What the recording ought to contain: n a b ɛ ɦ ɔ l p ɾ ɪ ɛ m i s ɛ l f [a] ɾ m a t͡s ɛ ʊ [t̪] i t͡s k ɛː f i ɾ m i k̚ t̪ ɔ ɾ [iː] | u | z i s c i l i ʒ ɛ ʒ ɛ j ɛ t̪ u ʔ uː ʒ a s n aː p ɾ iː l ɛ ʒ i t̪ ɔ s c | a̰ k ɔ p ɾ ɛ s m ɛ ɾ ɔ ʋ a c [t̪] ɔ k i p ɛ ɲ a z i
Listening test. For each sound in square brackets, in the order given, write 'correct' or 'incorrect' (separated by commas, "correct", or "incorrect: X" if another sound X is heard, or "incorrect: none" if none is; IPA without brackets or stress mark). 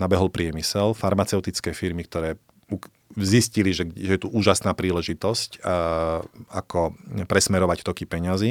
correct, correct, incorrect: ɛː, correct